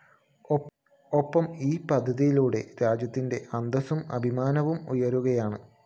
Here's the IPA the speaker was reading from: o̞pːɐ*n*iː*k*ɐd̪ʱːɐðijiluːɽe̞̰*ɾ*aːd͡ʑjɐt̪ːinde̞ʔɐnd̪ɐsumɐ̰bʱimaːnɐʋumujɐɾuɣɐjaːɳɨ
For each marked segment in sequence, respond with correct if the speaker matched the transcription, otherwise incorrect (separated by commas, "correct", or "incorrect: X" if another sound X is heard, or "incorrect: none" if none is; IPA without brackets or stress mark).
incorrect: m, incorrect: p, correct